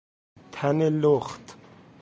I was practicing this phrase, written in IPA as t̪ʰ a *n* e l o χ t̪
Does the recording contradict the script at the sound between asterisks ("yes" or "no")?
no